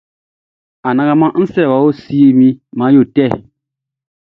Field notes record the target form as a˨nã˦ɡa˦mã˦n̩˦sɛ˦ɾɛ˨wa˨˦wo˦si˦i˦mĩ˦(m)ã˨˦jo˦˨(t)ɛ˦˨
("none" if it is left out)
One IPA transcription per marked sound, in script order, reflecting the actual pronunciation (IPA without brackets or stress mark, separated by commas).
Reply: m, t